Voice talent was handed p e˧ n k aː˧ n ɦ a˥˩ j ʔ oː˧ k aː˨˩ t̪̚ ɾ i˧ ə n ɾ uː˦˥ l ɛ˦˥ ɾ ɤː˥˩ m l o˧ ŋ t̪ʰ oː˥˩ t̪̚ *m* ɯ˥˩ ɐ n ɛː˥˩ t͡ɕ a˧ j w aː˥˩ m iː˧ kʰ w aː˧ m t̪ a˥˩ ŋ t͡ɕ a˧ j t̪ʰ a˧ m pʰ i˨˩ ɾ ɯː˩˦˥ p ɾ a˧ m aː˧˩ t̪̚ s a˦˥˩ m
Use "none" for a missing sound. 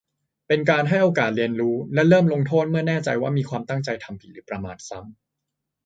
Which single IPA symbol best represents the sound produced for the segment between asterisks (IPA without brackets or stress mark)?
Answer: m